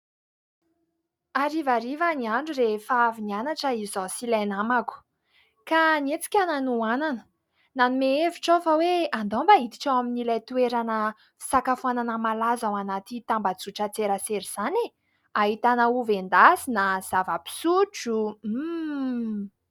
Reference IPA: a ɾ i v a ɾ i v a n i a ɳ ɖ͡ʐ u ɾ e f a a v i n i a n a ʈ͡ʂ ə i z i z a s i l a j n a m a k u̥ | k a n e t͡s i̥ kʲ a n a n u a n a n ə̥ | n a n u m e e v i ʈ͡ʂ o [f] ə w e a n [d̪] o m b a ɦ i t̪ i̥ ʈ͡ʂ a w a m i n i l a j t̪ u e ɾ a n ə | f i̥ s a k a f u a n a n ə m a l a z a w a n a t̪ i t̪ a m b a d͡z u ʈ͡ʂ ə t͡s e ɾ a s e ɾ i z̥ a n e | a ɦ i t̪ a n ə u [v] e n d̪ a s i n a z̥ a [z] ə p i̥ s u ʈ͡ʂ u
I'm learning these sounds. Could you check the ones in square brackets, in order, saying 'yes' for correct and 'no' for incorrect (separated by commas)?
yes, yes, yes, no